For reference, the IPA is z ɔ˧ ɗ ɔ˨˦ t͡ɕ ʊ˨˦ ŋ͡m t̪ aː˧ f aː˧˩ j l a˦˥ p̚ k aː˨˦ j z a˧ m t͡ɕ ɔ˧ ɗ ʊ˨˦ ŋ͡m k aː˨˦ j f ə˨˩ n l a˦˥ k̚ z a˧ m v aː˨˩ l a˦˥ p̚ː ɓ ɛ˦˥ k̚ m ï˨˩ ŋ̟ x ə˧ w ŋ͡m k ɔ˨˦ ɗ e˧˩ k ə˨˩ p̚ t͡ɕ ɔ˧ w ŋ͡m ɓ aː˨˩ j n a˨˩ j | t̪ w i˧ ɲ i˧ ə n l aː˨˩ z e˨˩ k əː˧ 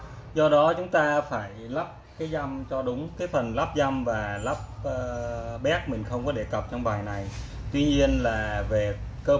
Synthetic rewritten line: z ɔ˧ ɗ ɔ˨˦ t͡ɕ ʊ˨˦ ŋ͡m t̪ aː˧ f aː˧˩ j l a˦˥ p̚ k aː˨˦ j z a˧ m t͡ɕ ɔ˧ ɗ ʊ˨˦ ŋ͡m k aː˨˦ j f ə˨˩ n l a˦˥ p̚ z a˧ m v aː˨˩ l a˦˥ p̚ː ɓ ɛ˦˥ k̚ m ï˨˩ ŋ̟ x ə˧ w ŋ͡m k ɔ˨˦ ɗ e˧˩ k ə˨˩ p̚ t͡ɕ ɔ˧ w ŋ͡m ɓ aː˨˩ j n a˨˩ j | t̪ w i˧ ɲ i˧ ə n l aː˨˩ v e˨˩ k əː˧